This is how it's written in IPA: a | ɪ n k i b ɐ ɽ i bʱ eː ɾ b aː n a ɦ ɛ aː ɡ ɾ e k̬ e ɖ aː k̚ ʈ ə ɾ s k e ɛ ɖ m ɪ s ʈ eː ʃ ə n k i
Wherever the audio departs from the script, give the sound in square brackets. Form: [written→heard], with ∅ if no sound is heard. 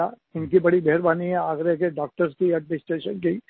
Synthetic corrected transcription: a | ɪ n k i b ɐ ɽ i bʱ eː ɾ b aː n [a→i] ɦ ɛ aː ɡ ɾ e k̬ e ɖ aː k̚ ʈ ə ɾ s k [e→i] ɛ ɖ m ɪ s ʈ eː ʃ ə n k i